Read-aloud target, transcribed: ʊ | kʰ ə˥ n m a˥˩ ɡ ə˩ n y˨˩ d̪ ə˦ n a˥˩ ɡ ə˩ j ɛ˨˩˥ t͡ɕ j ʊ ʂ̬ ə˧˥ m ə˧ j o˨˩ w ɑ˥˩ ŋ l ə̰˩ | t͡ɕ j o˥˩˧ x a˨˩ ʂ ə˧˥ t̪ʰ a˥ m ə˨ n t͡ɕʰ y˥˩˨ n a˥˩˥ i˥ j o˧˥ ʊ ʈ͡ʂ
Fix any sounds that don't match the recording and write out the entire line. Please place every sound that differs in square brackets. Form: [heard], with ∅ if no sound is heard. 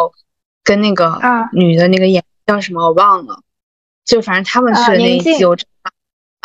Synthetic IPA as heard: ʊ | [k] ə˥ n [n] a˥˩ ɡ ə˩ n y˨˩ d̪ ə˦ n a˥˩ ɡ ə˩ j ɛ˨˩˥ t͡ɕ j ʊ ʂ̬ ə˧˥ m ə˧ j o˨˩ w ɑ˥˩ ŋ l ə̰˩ | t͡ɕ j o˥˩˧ [f] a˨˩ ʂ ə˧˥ t̪ʰ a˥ m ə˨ n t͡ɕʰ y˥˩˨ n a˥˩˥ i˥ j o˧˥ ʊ ʈ͡ʂ